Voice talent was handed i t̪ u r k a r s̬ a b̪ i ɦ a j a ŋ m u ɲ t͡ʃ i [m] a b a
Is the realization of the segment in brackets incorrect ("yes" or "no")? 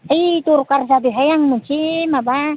no